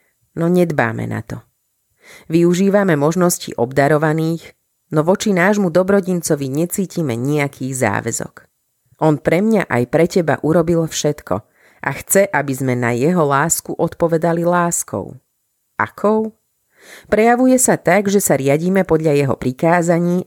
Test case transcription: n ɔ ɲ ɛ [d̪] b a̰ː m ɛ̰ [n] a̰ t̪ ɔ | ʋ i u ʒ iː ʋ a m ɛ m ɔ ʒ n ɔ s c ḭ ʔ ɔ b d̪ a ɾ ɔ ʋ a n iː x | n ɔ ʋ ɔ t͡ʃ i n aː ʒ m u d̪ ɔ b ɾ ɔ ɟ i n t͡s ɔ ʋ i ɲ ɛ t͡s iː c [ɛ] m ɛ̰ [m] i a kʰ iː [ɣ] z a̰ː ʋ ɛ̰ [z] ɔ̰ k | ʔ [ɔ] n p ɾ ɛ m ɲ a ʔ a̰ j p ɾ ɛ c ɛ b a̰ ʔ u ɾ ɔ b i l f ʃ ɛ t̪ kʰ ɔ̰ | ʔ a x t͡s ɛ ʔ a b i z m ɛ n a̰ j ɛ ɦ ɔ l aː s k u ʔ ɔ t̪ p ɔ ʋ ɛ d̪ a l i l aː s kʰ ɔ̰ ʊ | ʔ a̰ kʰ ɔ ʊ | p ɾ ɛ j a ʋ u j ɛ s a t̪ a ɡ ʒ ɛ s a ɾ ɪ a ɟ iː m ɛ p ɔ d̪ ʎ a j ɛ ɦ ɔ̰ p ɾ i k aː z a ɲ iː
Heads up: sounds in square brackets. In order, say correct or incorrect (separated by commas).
correct, correct, incorrect, incorrect, correct, correct, correct